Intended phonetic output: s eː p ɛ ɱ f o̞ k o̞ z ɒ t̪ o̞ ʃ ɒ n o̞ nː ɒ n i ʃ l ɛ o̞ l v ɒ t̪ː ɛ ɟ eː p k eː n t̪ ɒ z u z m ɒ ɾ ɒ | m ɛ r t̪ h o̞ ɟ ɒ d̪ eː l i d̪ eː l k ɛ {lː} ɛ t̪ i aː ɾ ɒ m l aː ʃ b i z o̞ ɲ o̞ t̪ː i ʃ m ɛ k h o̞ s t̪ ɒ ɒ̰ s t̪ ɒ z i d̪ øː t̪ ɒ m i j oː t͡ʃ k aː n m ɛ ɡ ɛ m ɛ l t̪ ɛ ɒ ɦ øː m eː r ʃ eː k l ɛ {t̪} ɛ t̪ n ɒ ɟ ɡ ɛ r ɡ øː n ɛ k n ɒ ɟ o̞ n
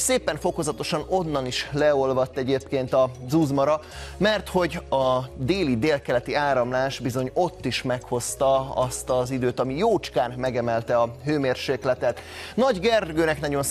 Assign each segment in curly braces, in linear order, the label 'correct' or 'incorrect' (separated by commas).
incorrect, correct